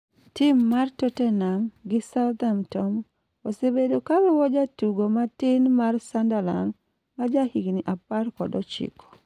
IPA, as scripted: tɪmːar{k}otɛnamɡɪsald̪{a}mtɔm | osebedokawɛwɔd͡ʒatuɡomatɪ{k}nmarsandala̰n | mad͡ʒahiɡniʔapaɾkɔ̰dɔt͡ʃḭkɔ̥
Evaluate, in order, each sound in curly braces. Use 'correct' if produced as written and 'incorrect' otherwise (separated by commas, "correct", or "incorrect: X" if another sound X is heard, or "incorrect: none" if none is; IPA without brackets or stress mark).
incorrect: t, correct, incorrect: none